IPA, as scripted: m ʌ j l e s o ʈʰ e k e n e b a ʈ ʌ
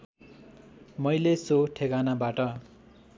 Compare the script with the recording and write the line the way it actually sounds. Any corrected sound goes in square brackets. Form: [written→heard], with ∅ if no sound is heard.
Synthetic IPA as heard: m ʌ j l e s o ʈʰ e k [e→a] n [e→a] b a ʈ ʌ